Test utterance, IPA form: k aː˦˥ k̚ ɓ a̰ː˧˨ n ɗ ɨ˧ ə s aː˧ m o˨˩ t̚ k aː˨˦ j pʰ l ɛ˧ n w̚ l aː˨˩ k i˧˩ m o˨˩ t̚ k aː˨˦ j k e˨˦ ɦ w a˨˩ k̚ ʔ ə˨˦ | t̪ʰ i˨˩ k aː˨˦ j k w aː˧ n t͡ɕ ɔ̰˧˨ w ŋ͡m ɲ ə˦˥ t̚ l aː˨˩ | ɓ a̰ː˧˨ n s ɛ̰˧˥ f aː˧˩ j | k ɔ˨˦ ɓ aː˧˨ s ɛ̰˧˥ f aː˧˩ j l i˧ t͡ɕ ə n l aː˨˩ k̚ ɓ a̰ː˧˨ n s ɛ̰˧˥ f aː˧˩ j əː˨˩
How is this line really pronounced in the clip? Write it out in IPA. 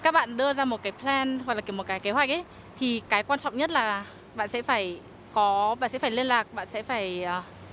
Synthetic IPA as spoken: k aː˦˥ k̚ ɓ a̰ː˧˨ n ɗ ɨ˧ ə z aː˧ m o˨˩ t̚ k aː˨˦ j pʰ l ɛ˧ n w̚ l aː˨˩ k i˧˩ m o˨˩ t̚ k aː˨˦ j k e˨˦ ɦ w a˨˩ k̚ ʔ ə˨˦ | t̪ʰ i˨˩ k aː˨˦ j k w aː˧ n t͡ɕ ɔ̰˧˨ w ŋ͡m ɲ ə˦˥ t̚ l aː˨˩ | ɓ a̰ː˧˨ n s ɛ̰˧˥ f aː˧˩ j | k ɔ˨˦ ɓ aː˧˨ s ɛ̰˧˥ f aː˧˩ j l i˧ ə n l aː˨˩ k̚ ɓ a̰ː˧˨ n s ɛ̰˧˥ f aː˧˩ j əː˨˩